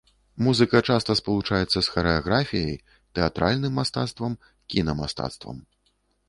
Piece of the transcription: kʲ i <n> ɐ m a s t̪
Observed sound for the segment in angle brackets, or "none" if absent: n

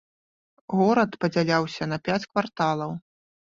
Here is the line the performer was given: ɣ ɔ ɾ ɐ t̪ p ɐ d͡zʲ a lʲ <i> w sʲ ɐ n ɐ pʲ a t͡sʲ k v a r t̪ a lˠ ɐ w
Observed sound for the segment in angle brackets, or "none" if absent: a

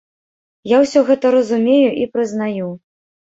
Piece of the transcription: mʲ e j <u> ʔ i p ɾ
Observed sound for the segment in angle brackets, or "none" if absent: u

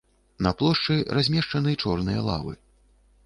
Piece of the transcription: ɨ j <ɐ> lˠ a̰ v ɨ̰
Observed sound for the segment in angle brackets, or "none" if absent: ɐ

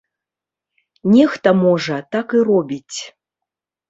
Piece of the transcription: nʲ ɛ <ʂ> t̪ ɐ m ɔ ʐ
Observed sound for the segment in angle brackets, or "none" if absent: x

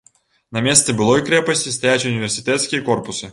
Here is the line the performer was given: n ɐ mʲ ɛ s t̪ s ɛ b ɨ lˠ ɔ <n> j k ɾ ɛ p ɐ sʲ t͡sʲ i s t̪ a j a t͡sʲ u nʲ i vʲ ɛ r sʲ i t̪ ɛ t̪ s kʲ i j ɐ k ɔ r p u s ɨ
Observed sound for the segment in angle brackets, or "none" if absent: none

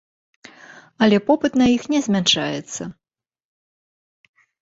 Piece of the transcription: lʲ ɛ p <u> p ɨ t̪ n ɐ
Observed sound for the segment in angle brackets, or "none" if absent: ɔ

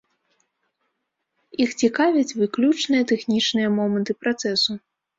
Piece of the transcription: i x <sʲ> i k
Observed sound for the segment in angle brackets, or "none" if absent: t͡sʲ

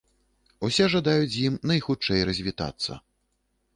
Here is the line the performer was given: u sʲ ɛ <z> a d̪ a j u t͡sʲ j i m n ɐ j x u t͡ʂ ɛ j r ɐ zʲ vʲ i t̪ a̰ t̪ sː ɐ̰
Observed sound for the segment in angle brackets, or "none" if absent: ʐ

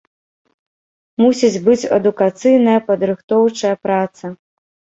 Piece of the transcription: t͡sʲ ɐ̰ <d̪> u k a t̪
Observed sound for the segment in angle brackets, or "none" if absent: d̪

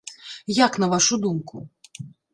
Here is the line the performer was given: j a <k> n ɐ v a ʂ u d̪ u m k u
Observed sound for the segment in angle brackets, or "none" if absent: k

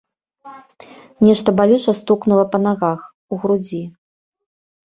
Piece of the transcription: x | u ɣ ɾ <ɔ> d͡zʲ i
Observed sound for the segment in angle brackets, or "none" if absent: u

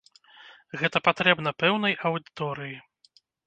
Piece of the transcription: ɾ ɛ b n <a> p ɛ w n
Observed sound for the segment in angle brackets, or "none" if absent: ɐ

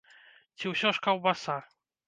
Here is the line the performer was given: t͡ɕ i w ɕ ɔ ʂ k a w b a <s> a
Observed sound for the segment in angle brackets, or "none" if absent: s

